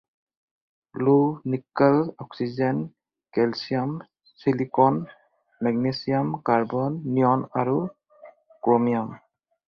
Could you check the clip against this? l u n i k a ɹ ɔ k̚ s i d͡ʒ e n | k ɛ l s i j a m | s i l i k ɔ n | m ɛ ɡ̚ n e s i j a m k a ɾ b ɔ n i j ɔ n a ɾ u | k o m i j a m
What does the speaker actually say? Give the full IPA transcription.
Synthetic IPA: l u n i k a l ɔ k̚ s i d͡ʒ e n | k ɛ l s i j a m | s i l i k ɔ n | m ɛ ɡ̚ n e s i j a m k a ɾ b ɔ nː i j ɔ n a ɾ u | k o m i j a m